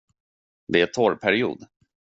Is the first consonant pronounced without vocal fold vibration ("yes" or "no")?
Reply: no